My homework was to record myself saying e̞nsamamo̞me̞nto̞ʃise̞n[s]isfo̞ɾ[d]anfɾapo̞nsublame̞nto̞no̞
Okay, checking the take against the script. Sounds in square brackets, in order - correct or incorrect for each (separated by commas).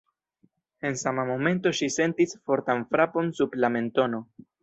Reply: incorrect, incorrect